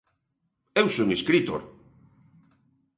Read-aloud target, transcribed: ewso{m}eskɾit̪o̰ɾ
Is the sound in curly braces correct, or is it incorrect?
incorrect